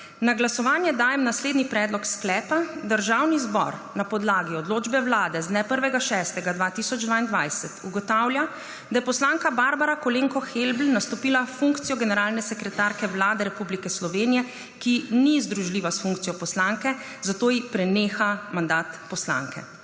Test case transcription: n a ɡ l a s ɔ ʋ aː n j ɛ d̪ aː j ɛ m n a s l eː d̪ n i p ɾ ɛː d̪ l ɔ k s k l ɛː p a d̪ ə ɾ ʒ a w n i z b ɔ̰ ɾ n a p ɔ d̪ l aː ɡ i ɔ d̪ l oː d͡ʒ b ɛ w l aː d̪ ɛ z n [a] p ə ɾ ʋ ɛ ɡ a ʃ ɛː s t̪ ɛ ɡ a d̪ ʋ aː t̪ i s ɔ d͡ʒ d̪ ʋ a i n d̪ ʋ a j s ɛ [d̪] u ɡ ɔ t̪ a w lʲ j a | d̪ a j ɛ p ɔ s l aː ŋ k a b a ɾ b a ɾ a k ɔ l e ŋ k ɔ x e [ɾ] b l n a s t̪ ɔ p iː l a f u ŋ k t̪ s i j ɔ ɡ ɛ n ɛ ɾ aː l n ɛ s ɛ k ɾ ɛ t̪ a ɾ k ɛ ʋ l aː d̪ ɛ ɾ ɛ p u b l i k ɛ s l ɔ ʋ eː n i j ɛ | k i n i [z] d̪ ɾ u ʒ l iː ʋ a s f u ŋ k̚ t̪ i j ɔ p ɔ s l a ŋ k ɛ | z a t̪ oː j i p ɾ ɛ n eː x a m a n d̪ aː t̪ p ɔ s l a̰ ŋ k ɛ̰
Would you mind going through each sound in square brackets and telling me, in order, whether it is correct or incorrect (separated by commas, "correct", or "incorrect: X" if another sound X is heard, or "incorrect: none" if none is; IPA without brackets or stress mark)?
incorrect: ɛ, incorrect: t̪, incorrect: l, correct